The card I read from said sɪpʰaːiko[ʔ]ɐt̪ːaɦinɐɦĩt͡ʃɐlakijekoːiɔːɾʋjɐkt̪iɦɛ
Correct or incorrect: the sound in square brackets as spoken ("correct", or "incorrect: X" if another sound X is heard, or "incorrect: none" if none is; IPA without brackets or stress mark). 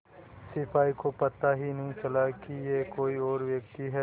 incorrect: p